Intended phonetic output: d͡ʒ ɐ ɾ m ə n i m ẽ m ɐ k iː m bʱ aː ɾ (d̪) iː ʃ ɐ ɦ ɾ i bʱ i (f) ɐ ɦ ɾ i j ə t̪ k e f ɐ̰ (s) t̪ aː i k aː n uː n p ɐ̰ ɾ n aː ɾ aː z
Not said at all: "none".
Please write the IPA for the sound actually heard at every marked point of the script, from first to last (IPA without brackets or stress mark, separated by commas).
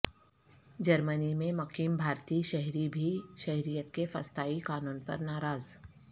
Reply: t̪, ʃ, s